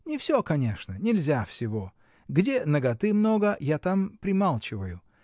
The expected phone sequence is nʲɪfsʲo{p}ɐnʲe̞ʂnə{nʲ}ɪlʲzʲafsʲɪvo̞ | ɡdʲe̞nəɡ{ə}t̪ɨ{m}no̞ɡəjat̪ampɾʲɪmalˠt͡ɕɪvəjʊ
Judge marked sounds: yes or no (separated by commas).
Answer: no, yes, no, yes